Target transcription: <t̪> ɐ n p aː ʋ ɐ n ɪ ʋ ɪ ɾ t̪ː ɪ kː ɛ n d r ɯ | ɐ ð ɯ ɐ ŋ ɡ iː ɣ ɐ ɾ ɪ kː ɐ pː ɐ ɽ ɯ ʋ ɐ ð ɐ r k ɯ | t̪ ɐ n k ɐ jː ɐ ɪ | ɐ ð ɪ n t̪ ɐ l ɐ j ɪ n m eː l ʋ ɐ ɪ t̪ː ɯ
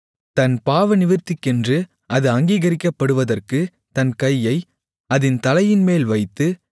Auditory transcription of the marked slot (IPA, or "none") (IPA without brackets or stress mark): t̪